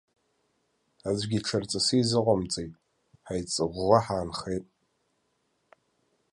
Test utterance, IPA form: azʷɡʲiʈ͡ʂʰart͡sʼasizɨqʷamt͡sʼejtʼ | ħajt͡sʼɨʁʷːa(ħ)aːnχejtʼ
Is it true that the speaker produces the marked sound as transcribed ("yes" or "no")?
yes